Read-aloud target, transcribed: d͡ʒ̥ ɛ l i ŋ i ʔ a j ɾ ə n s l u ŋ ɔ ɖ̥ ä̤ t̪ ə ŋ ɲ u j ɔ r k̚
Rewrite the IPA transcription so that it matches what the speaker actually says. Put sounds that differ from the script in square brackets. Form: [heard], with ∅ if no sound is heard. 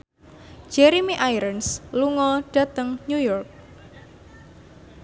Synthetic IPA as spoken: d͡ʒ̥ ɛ [ɾ] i [m] i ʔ a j ɾ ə n s l u ŋ ɔ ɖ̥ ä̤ t̪ ə ŋ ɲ u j ɔ r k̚